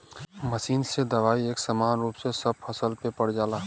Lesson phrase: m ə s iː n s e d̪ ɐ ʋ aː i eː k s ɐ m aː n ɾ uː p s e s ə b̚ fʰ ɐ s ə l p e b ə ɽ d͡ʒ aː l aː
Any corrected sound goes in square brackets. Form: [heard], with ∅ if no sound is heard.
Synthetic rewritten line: m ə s iː n s e d̪ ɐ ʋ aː i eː k s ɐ m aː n ɾ uː p s e s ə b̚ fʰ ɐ s ə l p e [p] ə ɽ d͡ʒ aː l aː